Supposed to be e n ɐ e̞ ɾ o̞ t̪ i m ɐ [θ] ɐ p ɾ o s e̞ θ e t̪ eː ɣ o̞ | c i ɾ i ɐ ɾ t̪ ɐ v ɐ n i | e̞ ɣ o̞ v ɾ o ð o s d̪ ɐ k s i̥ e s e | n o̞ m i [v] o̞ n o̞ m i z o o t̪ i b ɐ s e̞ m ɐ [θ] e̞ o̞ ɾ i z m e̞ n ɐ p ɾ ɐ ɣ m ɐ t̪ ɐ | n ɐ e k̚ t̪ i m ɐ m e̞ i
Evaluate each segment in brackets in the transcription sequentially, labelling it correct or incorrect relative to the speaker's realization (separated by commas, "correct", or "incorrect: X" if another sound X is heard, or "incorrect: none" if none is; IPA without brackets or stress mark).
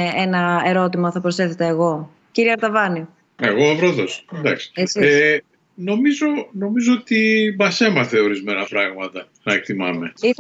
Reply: correct, incorrect: z, correct